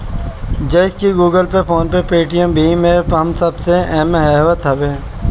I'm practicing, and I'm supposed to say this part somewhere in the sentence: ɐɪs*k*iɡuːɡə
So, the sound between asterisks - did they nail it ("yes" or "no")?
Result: yes